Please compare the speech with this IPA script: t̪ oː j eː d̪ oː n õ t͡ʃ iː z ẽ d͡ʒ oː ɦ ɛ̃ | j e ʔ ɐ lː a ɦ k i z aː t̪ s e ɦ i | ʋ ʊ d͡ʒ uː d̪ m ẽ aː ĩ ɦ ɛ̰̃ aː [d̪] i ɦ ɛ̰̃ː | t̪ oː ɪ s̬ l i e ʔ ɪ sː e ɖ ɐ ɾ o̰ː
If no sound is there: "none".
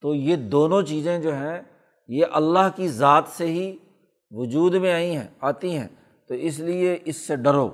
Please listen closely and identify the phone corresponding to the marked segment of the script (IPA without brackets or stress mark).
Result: t̪